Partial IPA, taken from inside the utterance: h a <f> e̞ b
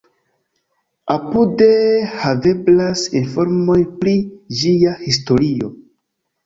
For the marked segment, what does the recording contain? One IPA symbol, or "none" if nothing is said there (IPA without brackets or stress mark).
v